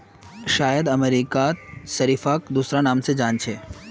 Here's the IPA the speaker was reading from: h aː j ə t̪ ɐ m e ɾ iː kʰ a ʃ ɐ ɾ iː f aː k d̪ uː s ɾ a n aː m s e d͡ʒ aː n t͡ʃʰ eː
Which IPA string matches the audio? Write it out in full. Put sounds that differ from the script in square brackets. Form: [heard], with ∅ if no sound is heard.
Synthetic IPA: [ʃ] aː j ə [d̪] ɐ m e ɾ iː [k] a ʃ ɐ ɾ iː f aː k d̪ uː s ɾ a n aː m s e d͡ʒ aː n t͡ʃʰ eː